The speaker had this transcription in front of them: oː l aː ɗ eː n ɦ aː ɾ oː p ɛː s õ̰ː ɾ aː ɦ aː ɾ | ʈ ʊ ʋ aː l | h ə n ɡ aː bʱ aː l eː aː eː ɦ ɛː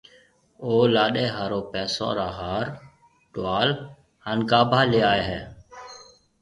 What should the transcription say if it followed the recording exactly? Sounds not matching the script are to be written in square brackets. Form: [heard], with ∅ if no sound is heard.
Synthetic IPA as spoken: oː l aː ɗ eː [∅] ɦ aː ɾ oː p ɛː s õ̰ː ɾ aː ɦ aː ɾ | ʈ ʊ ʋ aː l | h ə n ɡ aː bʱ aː l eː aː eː ɦ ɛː